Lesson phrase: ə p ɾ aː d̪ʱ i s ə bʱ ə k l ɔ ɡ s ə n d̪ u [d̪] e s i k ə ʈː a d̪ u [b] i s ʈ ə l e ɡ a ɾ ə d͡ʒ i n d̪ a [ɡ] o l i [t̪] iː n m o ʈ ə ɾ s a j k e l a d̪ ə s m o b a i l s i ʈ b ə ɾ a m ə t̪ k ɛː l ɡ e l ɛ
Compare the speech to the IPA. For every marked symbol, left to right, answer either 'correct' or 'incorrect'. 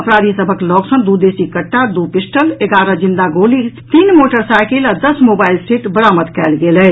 correct, incorrect: p, correct, correct

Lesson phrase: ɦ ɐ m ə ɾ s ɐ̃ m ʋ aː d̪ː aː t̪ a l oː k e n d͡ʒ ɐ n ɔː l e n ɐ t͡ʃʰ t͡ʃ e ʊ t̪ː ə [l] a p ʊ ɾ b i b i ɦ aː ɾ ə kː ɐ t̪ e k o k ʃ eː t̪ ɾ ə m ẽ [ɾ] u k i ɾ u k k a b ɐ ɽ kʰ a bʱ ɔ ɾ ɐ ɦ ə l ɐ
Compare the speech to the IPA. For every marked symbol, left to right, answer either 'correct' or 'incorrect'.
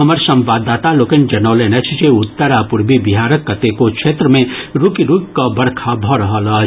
incorrect: ɾ, correct

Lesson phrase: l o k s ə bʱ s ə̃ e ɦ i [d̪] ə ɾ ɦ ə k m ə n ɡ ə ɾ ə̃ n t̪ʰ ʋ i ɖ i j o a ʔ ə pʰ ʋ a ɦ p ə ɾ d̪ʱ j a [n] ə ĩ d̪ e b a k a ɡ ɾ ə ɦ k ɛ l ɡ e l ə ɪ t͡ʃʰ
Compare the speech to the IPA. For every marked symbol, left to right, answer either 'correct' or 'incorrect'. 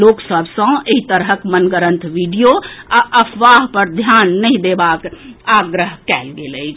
incorrect: t̪, incorrect: nː

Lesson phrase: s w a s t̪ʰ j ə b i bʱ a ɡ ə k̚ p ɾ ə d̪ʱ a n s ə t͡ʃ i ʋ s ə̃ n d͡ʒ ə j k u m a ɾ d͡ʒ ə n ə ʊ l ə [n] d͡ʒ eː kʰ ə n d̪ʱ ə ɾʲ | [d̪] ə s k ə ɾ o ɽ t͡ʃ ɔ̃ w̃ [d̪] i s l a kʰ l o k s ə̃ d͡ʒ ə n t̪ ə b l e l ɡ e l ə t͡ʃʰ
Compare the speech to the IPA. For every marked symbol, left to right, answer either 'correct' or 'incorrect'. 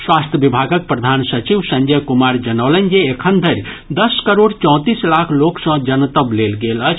correct, correct, incorrect: t̪

